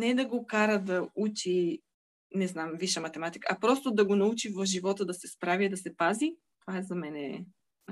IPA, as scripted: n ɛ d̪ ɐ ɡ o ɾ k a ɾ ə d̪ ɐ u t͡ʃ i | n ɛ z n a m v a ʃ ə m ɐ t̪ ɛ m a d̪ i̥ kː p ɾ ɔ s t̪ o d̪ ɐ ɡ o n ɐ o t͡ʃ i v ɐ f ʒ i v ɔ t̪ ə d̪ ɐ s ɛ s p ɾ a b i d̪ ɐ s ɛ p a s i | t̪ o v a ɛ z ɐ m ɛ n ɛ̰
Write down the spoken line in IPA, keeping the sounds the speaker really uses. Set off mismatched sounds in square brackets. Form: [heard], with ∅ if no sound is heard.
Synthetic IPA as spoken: n ɛ d̪ ɐ ɡ o [∅] k a ɾ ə d̪ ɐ u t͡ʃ i | n ɛ z n a m v [i] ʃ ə m ɐ t̪ ɛ m a [t̪] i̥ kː p ɾ ɔ s t̪ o d̪ ɐ ɡ o n ɐ [u] t͡ʃ i v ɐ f ʒ i v ɔ t̪ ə d̪ ɐ s ɛ s p ɾ a [v] i d̪ ɐ s ɛ p a [z] i | t̪ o v a ɛ z ɐ m ɛ n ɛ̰